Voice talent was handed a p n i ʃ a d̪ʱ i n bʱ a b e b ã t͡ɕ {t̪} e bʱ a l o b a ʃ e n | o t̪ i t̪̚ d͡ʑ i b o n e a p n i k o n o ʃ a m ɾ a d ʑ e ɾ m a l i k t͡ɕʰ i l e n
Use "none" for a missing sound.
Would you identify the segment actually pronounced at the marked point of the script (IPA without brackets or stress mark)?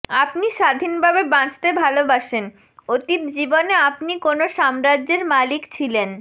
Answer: t̪